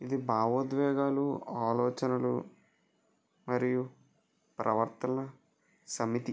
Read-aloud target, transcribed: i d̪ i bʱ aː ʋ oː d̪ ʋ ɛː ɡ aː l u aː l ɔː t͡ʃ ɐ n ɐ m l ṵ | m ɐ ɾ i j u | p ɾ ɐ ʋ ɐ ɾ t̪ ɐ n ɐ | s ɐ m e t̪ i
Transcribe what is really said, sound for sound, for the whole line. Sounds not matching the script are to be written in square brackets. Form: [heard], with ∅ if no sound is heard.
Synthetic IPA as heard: i d̪ i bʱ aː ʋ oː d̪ ʋ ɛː ɡ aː l u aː l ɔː t͡ʃ ɐ n ɐ [∅] l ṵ | m ɐ ɾ i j u | p ɾ ɐ ʋ ɐ ɾ t̪ ɐ n ɐ | s ɐ m [i] t̪ i